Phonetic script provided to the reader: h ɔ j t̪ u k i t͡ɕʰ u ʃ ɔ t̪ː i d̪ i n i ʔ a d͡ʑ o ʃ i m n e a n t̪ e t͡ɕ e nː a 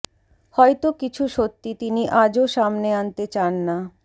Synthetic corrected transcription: h ɔ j t̪ o k i t͡ɕʰ u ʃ o t̪ː i t̪ i n i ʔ a d͡ʑ o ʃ a m n e a n t̪ e t͡ɕ a nː a